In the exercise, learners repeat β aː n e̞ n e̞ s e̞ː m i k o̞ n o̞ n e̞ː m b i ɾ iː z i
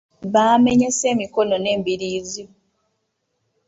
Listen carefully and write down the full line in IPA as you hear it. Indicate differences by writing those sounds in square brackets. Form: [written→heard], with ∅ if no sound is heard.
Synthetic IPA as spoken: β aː [n→m] e̞ [n→ɲ] e̞ s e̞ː m i k o̞ n o̞ n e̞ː m b i ɾ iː z i